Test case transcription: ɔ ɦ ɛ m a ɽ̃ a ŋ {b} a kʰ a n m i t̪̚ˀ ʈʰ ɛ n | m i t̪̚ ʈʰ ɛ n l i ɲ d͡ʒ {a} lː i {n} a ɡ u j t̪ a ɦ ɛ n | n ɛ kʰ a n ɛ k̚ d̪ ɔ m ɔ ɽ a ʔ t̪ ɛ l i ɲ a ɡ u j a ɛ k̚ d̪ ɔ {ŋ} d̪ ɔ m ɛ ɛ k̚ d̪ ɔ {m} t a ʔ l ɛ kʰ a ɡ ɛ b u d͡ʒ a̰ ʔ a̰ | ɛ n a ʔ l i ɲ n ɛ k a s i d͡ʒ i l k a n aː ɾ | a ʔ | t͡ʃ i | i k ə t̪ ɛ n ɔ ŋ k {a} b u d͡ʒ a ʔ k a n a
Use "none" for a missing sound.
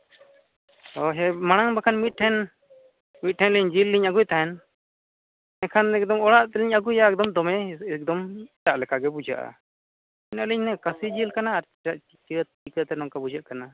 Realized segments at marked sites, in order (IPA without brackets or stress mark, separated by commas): b, i, ɲ, m, m, a